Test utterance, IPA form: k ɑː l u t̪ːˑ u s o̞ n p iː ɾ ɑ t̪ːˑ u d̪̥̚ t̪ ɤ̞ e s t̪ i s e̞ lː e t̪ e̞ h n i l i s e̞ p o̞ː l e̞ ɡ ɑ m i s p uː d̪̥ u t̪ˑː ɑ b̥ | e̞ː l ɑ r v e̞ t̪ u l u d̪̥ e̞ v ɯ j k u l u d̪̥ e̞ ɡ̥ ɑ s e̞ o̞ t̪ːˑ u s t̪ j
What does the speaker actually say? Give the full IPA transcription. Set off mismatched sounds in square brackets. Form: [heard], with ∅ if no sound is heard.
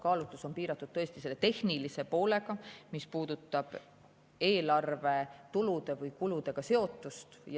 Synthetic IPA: k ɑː l u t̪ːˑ u s o̞ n p iː ɾ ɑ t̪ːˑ u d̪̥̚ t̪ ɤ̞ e s t̪ i s e̞ lː e t̪ e̞ h n i l i s e̞ p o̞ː l e̞ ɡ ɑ m i s p uː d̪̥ u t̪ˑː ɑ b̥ | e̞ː l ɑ r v e̞ t̪ u l u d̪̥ e̞ v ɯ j k u l u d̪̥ e̞ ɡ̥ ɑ s e̞ o̞ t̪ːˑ u s t̪ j